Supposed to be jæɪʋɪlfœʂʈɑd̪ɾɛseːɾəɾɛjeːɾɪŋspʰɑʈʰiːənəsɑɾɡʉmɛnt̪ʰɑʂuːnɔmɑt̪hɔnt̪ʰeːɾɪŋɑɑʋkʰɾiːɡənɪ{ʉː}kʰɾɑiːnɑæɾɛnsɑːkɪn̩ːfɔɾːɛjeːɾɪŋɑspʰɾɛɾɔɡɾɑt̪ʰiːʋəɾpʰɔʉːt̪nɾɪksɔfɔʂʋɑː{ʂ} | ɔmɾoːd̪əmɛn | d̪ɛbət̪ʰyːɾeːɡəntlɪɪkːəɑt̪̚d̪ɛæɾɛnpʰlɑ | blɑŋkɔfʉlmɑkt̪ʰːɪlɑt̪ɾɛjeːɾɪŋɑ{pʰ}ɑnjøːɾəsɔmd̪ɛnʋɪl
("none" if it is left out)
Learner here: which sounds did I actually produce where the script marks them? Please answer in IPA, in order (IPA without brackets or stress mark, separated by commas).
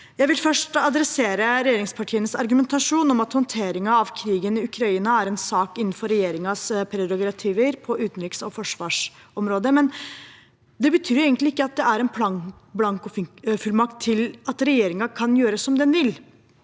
ʉ, ʂ, kʰ